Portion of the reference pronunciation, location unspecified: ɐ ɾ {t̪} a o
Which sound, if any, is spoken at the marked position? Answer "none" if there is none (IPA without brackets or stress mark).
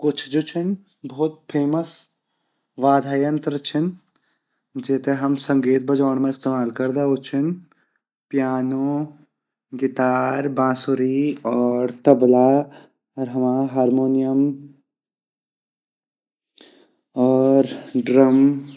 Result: d̪